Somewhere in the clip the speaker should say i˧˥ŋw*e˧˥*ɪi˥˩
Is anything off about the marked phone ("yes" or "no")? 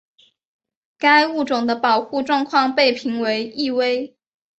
no